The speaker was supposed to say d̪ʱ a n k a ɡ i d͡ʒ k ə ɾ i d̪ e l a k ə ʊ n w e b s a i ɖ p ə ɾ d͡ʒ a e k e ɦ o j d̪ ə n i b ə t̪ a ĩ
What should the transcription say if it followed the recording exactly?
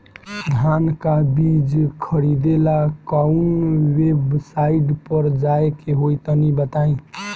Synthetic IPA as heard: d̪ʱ a n k a b i d͡ʒ kʰ ə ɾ i d̪ e l a k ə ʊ n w e b s a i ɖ p ə ɾ d͡ʒ a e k e ɦ o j t̪ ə n i b ə t̪ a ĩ